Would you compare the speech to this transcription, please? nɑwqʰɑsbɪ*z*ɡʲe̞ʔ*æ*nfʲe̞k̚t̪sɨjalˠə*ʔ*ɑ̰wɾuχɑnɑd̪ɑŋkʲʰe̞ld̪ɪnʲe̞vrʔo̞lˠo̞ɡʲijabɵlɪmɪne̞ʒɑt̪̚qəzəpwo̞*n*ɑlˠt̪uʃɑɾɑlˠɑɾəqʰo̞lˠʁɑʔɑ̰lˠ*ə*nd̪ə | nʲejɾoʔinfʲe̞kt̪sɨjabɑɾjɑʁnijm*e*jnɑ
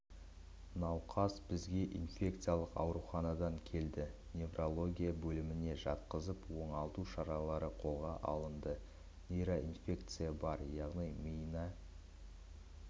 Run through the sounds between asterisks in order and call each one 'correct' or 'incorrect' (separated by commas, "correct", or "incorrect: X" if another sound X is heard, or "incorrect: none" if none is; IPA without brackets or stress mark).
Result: correct, incorrect: i, incorrect: q, incorrect: ɴ, correct, incorrect: i